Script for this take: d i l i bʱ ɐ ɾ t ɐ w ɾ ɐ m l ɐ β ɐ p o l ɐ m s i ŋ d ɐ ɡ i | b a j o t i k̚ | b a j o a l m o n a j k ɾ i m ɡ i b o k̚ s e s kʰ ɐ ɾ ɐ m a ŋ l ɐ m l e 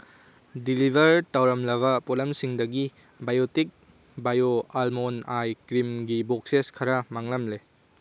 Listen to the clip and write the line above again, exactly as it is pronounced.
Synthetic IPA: d i l i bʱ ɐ ɾ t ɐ w ɾ ɐ m l ɐ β ɐ p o l ɐ m s i ŋ d ɐ ɡ i | b a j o t i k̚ | b a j o a l m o n a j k ɾ i m ɡ i b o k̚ s e s kʰ ɐ ɾ ɐ m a ŋ l ɐ m l e